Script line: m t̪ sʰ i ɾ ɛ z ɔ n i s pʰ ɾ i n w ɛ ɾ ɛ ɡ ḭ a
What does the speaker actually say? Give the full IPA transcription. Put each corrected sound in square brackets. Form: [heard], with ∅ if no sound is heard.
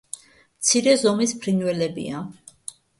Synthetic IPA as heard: m t̪ sʰ i ɾ ɛ z ɔ [m] i s pʰ ɾ i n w ɛ [l] ɛ [b] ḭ a